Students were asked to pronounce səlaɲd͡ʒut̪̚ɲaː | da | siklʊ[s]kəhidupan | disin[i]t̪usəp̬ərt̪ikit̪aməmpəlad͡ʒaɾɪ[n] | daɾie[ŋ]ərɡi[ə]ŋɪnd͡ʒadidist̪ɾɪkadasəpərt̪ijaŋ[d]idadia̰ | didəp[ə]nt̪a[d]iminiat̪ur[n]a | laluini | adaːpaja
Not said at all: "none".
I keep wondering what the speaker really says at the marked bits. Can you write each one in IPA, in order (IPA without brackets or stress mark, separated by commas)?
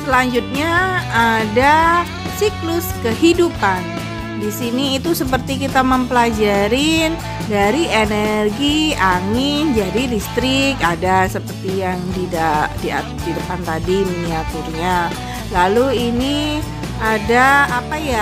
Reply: s, iː, n, n, a, d, a, d, ɲ